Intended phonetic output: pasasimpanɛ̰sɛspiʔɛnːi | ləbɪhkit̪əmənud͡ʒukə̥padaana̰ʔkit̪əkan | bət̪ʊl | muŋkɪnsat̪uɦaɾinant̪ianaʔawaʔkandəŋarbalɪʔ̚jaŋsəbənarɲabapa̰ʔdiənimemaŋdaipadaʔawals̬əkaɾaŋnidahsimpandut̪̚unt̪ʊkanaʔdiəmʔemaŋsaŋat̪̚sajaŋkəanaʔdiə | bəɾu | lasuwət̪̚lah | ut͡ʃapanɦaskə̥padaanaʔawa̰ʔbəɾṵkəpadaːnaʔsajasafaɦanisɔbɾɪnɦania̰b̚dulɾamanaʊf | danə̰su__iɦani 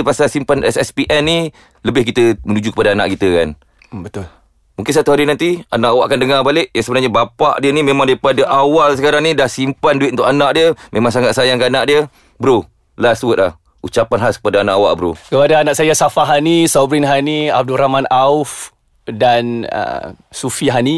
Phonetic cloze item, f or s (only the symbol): f